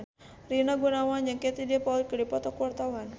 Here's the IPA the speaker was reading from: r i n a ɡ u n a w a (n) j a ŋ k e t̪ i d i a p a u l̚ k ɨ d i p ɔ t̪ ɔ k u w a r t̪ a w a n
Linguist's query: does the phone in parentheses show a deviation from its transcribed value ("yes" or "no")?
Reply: no